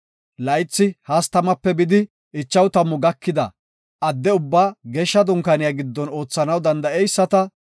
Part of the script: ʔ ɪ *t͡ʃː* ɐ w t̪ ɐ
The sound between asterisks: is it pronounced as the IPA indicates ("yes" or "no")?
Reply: yes